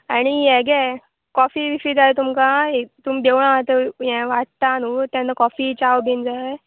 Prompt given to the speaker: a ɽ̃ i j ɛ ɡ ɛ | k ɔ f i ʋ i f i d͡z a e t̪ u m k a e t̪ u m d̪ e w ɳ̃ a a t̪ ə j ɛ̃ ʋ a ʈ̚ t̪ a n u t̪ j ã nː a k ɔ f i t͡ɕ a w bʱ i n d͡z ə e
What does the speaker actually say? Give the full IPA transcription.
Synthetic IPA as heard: a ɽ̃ i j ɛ ɡ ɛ | k ɔ f i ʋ i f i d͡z a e t̪ u m k a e t̪ u m d̪ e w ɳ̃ a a t̪ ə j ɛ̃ ʋ a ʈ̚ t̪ a n u t̪ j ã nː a k ɔ f i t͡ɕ a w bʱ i n d͡z a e